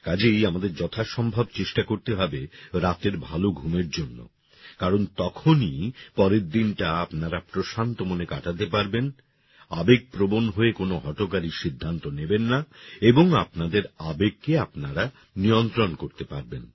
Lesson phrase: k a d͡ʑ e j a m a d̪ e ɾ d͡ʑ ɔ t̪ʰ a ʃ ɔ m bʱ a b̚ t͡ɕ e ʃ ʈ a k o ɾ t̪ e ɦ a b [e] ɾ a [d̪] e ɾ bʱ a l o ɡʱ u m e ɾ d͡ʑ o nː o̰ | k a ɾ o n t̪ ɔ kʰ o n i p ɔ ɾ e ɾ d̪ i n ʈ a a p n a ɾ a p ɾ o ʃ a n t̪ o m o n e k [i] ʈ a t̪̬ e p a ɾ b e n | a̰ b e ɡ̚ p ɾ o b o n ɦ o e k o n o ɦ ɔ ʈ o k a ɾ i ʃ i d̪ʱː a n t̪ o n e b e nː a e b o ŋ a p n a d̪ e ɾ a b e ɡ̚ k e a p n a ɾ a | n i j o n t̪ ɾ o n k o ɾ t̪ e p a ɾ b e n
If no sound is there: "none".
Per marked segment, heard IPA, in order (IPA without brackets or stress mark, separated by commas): e, t̪, a